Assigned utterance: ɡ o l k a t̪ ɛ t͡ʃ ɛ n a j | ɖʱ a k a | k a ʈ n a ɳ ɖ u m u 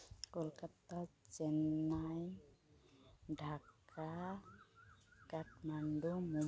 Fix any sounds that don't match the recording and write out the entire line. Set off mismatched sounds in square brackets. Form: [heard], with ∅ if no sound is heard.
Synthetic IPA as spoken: [k] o l k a t̪ [a] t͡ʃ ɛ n a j | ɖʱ a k a | k a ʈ [m] a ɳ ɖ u m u